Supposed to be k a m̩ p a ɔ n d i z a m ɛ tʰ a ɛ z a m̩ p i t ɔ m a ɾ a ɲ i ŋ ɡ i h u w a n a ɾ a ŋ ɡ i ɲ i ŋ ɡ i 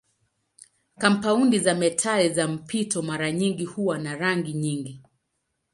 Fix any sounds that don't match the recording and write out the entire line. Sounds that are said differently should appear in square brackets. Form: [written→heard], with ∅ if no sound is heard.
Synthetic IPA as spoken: k a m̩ p a [ɔ→u] n d i z a m ɛ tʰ a ɛ z a m̩ p i t ɔ m a ɾ a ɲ i ŋ ɡ i h u w a n a ɾ a ŋ ɡ i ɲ i ŋ ɡ i